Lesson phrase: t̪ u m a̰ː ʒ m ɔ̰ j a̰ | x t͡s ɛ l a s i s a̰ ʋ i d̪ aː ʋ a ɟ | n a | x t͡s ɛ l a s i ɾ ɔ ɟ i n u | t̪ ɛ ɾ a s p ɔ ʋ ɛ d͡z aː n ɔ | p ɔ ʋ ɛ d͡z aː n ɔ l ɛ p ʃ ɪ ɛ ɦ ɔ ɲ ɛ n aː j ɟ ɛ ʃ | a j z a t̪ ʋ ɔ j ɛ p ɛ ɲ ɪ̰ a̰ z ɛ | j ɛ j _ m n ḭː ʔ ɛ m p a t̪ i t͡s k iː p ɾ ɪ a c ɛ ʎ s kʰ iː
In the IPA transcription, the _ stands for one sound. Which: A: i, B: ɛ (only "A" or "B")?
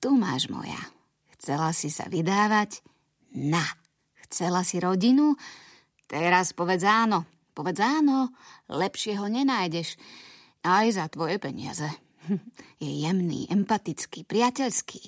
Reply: B